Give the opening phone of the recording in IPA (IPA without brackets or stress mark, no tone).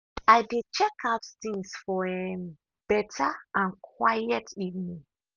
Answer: a